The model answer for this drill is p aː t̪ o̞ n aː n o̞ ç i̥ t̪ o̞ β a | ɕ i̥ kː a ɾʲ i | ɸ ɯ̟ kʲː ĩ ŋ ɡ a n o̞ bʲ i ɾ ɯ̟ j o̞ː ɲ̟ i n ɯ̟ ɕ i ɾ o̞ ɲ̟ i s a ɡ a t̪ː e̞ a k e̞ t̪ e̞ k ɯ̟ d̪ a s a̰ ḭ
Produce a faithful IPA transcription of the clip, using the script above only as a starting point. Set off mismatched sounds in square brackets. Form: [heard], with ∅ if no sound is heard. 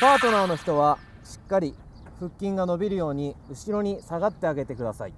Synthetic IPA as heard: p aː t̪ o̞ n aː n o̞ ç i̥ t̪ o̞ β a | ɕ i̥ kː a ɾʲ i | ɸ ɯ̟ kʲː ĩ ŋ ɡ a n o̞ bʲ i ɾ ɯ̟ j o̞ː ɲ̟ i [∅] ɯ̟ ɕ i ɾ o̞ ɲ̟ i s a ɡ a t̪ː e̞ a [ɡ] e̞ t̪ e̞ k ɯ̟ d̪ a s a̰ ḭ